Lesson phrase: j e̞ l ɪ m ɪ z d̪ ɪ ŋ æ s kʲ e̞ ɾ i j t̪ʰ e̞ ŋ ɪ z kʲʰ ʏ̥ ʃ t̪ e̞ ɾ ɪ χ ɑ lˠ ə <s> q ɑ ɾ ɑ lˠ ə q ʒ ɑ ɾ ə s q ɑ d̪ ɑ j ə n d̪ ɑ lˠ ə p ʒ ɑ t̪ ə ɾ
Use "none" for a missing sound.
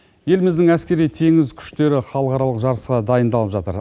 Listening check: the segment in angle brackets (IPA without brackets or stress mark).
none